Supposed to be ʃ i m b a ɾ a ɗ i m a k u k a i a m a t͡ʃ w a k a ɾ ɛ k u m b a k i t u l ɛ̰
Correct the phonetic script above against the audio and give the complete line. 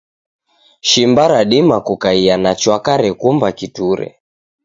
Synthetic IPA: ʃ i m b a ɾ a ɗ i m a k u k a i a n a t͡ʃ w a k a ɾ ɛ k u m b a k i t u ɾ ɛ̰